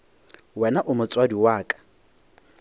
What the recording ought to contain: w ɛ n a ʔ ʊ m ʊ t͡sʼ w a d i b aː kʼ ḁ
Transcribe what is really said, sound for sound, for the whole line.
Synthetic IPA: w ɛ n a ʔ ʊ m ʊ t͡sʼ w a d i w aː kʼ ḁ